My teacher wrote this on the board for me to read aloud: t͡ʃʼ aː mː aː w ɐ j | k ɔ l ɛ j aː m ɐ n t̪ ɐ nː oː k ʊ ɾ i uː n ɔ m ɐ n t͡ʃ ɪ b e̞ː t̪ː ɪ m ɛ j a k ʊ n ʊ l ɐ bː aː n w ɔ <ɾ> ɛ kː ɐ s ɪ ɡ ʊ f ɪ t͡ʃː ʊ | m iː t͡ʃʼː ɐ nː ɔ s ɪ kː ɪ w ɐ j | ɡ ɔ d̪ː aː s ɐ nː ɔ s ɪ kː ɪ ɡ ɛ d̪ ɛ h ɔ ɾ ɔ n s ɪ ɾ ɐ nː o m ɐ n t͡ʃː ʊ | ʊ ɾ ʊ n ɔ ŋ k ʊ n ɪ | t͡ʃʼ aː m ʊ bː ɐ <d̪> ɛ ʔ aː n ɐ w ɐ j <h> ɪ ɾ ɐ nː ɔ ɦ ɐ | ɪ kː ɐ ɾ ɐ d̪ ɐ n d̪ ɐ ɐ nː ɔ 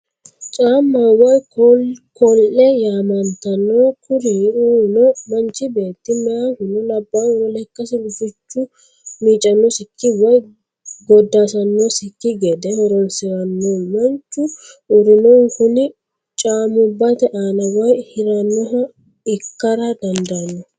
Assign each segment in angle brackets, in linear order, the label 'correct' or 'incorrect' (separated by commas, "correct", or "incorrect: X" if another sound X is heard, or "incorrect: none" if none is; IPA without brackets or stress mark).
incorrect: l, incorrect: t̪, correct